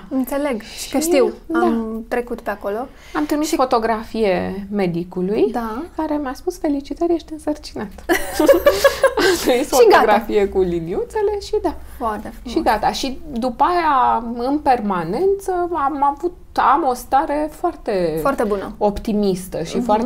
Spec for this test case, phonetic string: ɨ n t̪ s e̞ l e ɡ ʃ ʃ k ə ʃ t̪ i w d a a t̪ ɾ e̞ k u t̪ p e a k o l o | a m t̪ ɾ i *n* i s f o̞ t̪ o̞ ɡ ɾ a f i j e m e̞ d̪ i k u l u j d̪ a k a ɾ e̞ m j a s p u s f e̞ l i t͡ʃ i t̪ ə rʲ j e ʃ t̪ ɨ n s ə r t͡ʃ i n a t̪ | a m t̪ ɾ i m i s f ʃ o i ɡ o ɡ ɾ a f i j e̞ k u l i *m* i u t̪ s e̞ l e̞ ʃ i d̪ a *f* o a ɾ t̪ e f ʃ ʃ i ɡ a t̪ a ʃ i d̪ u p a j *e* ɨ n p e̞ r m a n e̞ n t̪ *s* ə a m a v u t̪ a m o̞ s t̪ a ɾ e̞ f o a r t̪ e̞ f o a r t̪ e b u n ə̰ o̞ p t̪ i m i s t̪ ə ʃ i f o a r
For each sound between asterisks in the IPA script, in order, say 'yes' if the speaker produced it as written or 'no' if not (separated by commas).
no, no, yes, no, yes